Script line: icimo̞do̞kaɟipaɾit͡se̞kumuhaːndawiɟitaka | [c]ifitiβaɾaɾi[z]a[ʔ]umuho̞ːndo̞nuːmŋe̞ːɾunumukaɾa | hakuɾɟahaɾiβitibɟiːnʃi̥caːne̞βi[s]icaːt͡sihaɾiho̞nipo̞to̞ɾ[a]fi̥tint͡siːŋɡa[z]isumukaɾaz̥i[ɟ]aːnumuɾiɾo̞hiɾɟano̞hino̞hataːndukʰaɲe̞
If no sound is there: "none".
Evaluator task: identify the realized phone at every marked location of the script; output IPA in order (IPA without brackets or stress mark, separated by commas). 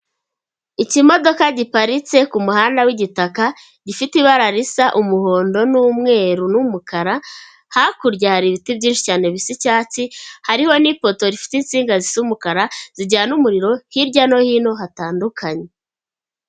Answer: ɟ, s, ʔ, s, i, z, ɟ